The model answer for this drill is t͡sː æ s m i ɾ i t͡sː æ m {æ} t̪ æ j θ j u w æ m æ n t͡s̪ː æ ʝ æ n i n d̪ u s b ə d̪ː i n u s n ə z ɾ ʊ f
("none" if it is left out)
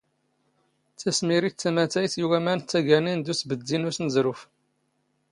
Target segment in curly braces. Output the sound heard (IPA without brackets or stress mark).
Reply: æ